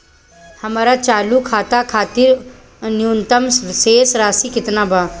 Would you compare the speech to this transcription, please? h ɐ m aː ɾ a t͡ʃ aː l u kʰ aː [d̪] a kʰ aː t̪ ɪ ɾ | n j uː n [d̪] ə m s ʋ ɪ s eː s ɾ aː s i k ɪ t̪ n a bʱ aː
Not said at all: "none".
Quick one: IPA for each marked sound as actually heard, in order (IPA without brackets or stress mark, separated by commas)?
t̪, t̪